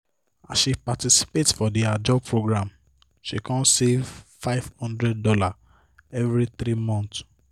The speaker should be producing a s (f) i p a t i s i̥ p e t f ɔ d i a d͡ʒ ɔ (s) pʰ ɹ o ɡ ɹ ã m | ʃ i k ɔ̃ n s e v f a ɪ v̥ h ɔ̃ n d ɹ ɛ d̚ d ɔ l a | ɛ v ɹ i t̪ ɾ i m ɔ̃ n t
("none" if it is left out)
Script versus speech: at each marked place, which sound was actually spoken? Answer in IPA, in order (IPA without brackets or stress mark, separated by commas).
ʃ, none